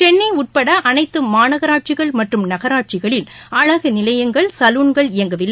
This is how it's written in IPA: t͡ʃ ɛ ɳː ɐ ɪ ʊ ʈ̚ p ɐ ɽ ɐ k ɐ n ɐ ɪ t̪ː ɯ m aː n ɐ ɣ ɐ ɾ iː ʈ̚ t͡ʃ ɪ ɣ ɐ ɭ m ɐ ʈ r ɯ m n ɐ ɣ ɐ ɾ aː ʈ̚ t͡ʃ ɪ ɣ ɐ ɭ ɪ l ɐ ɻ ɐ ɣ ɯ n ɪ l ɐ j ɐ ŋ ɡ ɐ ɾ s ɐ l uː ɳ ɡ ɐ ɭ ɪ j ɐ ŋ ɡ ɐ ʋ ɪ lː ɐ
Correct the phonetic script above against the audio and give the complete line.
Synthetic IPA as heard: t͡ʃ ɛ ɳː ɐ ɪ ʊ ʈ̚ p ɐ ɽ ɐ ʔ ɐ n ɐ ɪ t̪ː ɯ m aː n ɐ ɣ ɐ ɾ aː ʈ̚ t͡ʃ ɪ ɣ ɐ ɭ m ɐ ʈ r ɯ m n ɐ ɣ ɐ ɾ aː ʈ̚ t͡ʃ ɪ ɣ ɐ ɭ ɪ l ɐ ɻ ɐ ɣ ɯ n ɪ l ɐ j ɐ ŋ ɡ ɐ ɭ s ɐ l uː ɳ ɡ ɐ ɭ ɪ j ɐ ŋ ɡ ɐ ʋ ɪ lː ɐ